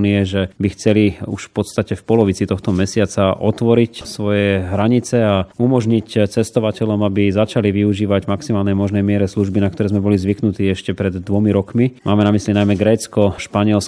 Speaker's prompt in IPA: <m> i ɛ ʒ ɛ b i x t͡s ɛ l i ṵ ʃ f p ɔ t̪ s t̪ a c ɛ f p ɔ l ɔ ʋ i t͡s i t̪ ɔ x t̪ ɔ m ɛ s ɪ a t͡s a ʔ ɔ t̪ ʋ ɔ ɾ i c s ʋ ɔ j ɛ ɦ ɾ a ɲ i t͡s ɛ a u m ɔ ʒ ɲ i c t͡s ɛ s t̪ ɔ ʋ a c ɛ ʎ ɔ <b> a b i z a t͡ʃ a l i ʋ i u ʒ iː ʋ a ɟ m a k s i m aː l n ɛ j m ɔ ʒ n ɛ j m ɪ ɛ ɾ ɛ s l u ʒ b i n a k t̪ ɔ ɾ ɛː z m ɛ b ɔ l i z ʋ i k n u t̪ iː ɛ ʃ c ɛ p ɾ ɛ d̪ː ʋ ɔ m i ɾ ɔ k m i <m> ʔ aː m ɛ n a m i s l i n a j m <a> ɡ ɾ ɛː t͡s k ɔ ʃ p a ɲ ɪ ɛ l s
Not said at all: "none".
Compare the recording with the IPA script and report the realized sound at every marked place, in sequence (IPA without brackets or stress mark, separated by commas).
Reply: n, m, m, ɛ